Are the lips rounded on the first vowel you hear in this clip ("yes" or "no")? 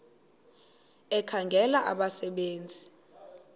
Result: no